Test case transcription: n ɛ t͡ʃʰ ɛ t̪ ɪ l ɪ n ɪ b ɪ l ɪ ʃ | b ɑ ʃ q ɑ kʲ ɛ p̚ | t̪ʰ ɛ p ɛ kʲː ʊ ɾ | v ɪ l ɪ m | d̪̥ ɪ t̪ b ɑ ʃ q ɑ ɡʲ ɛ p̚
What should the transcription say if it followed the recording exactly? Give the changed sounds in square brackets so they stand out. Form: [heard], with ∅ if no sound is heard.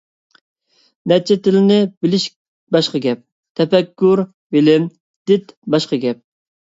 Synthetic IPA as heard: n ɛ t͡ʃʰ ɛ t̪ ɪ l ɪ n ɪ b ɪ l ɪ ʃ | b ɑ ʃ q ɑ [ɡʲ] ɛ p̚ | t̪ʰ ɛ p ɛ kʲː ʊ ɾ | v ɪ l ɪ m | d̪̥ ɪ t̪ b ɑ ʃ q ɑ ɡʲ ɛ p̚